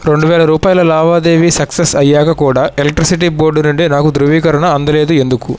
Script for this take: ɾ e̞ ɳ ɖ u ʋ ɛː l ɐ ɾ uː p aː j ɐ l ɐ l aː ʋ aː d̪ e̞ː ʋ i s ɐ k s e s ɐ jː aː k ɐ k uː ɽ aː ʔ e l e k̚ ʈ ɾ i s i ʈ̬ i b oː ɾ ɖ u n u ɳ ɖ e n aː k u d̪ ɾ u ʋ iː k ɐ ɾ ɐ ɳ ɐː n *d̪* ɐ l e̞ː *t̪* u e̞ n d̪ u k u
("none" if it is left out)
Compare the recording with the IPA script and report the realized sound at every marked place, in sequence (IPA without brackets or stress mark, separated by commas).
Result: d̪, d̪